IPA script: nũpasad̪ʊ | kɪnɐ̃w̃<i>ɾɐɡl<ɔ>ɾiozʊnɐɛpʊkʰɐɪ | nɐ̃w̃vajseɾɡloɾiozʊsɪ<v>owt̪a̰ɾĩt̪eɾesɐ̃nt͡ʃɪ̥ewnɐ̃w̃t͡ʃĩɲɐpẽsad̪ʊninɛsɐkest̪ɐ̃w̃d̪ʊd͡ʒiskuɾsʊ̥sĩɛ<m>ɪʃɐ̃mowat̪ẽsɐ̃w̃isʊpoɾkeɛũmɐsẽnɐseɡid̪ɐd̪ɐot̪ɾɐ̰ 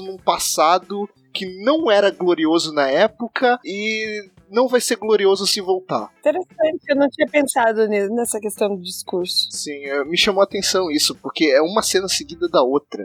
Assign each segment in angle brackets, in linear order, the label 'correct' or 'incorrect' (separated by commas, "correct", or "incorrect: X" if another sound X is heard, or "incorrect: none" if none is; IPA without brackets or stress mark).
incorrect: ɛ, incorrect: o, correct, correct